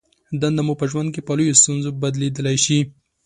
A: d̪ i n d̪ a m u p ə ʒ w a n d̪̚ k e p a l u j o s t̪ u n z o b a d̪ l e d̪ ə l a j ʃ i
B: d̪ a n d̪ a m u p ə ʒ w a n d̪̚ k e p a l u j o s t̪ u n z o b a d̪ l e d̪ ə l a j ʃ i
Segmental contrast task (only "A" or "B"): B